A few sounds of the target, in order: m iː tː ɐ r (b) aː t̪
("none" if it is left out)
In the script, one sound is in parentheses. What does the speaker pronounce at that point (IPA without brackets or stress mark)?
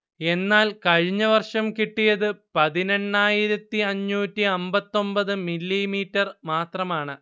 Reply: m